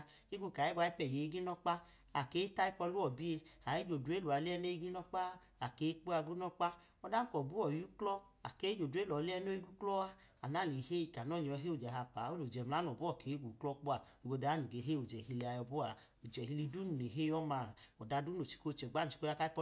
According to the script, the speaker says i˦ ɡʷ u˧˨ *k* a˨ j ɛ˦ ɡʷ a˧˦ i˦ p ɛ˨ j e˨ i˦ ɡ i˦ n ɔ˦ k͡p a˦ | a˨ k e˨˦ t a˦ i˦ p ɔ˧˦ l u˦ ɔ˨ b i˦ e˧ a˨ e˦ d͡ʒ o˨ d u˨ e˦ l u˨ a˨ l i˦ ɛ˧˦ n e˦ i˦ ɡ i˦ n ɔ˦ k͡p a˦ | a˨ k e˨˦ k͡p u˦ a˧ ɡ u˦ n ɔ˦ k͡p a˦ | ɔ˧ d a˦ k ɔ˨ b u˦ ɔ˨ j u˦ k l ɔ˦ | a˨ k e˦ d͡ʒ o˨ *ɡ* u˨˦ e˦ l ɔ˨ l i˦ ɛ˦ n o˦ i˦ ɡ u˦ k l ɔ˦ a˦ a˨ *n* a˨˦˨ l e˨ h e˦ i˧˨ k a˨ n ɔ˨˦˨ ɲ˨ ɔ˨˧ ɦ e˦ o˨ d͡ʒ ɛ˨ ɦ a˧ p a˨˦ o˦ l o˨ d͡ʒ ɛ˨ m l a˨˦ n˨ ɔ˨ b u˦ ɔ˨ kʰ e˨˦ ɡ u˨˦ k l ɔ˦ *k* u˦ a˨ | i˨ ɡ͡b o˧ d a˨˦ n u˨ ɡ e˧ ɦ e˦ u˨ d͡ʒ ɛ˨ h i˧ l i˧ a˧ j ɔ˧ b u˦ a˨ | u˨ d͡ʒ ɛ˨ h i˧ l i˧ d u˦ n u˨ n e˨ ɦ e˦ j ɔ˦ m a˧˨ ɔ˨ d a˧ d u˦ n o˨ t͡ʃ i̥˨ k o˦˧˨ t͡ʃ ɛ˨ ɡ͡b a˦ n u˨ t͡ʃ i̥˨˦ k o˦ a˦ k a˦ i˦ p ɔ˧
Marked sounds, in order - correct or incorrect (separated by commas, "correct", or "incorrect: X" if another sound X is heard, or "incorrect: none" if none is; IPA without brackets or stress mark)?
correct, incorrect: d, correct, incorrect: k͡p